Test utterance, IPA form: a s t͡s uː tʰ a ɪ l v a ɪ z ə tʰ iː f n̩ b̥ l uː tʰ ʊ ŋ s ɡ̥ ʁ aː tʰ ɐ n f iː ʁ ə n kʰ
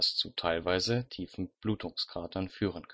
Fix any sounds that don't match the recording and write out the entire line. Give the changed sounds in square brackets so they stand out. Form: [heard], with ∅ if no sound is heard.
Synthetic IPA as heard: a s t͡s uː tʰ a ɪ l v a ɪ z ə tʰ iː f n̩ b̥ l uː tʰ ʊ ŋ s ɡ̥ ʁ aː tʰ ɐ n f [yː] ʁ ə n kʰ